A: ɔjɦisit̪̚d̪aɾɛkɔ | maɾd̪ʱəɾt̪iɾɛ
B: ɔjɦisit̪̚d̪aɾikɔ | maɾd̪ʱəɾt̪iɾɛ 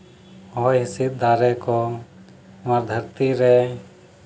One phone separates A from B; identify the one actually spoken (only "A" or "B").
A